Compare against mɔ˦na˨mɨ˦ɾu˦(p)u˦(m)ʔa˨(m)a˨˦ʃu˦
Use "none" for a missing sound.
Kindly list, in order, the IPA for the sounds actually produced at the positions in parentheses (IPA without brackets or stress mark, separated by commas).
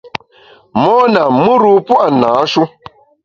p, none, n